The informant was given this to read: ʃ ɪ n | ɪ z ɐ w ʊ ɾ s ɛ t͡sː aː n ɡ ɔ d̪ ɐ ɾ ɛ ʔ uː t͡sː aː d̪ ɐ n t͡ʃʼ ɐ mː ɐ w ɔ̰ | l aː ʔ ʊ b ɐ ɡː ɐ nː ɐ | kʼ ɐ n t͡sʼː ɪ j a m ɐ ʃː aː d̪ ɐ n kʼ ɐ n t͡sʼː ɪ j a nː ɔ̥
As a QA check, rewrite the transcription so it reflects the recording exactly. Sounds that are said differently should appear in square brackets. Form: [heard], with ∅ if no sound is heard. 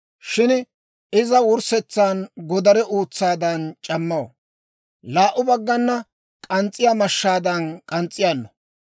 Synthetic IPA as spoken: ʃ ɪ n | ɪ z ɐ w ʊ ɾ s ɛ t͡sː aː n ɡ ɔ d̪ ɐ ɾ ɛ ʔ uː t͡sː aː d̪ ɐ n t͡ʃʼ ɐ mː ɐ w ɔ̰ | l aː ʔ ʊ b ɐ ɡː ɐ nː ɐ | kʼ ɐ n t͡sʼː ɪ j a m ɐ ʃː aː d̪ ɐ n kʼ ɐ n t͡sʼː ɪ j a nː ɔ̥